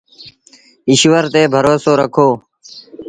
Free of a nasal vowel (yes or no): yes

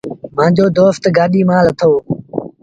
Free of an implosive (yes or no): no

